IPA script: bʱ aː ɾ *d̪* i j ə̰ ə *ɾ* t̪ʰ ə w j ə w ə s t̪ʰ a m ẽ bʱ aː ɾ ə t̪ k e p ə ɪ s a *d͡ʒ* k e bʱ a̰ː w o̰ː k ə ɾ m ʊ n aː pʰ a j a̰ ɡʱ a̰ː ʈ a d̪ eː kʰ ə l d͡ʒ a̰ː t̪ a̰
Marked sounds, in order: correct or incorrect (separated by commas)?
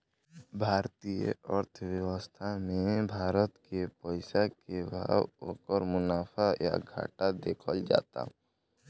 incorrect, correct, incorrect